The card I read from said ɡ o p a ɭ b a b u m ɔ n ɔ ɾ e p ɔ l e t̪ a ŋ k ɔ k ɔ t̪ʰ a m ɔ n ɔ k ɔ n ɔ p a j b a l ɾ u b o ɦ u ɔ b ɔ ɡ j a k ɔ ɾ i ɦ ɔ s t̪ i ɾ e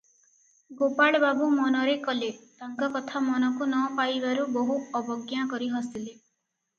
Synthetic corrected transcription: ɡ o p a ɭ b a b u m ɔ n ɔ ɾ e k ɔ l e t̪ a ŋ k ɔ k ɔ t̪ʰ a m ɔ n ɔ k u n ɔ p a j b a ɾ u b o ɦ u ɔ b ɔ ɡ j a k ɔ ɾ i ɦ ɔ s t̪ i l e